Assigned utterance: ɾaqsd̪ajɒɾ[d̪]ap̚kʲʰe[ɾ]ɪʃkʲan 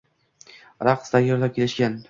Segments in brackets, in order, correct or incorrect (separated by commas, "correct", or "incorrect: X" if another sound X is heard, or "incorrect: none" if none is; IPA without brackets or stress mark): correct, incorrect: l